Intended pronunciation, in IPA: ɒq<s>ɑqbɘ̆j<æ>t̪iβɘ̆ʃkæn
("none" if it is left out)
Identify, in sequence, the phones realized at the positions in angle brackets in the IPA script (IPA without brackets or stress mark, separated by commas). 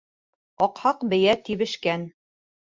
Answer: h, æ